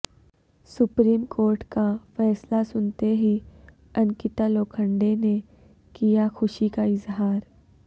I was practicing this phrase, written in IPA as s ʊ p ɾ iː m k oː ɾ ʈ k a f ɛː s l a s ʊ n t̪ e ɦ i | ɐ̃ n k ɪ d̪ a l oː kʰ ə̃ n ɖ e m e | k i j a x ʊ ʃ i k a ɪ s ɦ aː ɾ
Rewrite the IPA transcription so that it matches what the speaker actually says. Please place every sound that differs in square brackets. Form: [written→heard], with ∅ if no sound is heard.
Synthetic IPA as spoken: s ʊ p ɾ iː m k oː ɾ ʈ k a f ɛː s l a s ʊ n t̪ e ɦ i | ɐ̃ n k ɪ [d̪→t̪] a l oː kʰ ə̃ [n→ɳ] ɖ e [m→n] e | k i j a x ʊ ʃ i k a ɪ [s→z] ɦ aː ɾ